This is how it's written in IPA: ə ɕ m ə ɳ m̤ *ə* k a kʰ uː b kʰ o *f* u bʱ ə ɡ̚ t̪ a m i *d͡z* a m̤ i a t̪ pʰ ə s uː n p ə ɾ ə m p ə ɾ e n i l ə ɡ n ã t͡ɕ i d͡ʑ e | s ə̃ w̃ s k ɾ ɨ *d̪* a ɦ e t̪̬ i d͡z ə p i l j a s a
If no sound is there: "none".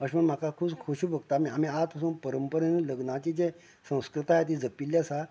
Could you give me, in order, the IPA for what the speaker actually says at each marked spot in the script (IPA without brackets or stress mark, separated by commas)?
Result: a, ɕ, none, t̪